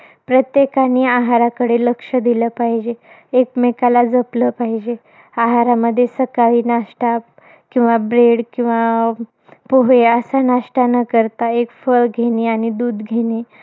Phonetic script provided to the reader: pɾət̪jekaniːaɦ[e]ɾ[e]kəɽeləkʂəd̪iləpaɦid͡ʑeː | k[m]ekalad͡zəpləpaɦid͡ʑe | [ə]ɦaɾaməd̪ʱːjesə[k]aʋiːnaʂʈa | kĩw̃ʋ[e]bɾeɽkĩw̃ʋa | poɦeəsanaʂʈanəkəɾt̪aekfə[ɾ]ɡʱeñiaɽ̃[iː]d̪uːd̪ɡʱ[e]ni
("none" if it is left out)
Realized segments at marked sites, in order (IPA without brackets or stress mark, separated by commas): a, a, m, a, k, a, ɭ, i, e